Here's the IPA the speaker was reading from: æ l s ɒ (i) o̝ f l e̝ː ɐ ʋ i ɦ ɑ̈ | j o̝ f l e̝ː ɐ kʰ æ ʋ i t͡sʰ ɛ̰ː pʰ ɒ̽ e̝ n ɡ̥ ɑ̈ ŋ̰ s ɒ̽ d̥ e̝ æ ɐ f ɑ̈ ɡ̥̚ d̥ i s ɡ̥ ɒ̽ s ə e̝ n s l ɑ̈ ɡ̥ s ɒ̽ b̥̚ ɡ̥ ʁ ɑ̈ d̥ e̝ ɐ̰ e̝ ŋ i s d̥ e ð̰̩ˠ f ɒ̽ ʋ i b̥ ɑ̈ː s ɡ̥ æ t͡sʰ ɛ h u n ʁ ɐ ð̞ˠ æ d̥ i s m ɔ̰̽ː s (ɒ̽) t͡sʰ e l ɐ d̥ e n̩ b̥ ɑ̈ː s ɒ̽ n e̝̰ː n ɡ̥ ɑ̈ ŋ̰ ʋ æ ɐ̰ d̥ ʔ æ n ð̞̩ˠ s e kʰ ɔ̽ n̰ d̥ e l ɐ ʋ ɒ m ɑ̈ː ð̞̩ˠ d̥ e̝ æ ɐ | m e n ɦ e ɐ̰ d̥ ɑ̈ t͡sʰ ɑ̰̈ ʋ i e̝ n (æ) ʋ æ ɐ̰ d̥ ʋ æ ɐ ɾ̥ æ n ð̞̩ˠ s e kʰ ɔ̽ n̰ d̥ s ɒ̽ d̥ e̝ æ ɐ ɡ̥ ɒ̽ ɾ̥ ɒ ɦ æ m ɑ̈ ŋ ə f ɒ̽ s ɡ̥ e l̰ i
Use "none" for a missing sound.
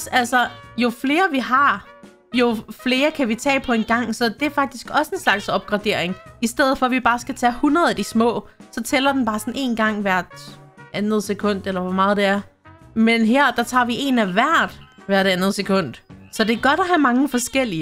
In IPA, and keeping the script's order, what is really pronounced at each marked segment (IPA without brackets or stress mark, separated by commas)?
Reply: j, ɒ̽, æ